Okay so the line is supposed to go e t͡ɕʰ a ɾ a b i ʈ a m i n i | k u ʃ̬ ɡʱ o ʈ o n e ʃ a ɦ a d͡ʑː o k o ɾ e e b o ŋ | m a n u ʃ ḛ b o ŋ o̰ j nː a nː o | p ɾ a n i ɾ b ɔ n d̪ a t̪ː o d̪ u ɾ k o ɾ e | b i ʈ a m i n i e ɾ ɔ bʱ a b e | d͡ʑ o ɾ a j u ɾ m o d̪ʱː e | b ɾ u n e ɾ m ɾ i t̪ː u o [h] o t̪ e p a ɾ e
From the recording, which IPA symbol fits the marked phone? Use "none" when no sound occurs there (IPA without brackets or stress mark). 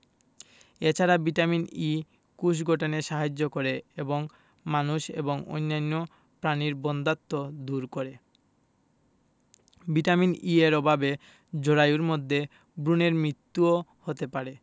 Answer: h